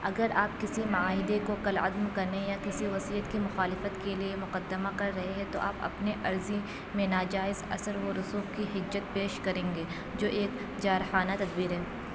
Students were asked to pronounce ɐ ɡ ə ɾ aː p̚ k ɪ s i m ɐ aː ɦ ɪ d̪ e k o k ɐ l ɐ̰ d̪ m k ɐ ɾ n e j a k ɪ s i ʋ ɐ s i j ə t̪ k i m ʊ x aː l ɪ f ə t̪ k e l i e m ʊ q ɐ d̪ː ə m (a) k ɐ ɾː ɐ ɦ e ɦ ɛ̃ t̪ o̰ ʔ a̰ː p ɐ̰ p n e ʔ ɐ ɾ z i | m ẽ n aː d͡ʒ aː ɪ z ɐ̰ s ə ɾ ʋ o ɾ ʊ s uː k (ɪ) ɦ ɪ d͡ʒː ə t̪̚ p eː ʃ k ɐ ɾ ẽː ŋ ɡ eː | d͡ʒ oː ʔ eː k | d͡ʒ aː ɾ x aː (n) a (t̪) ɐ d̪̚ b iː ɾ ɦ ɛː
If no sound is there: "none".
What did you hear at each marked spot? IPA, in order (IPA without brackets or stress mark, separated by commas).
a, i, n, t̪